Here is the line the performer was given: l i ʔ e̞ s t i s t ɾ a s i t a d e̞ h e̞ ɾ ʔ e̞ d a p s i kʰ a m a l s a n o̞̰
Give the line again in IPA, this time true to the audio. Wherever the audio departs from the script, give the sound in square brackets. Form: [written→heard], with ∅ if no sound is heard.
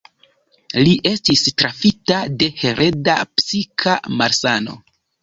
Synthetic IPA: l i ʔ e̞ s t i s t ɾ a [s→f] i t a d e̞ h e̞ ɾ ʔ e̞ d a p s i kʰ a m a [l→ɾ] s a n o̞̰